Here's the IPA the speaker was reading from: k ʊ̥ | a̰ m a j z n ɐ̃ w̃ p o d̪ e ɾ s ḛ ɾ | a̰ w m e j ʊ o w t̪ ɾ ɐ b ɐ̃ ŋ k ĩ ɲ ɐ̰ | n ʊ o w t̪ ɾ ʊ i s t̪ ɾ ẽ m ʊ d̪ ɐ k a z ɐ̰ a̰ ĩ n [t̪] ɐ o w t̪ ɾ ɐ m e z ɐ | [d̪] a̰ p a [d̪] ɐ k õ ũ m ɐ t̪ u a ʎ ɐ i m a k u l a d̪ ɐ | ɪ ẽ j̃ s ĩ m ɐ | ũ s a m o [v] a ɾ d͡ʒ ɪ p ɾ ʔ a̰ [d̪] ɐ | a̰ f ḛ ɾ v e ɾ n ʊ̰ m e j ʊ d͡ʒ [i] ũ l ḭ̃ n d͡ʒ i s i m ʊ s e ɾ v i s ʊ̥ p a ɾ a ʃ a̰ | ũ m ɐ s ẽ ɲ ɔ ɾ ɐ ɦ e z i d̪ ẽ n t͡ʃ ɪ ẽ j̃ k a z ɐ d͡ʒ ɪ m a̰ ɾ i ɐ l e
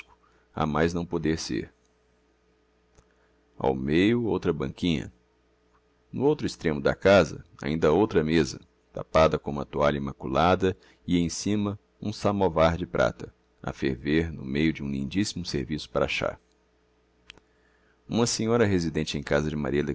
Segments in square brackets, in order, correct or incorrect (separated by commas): incorrect, incorrect, correct, correct, incorrect, incorrect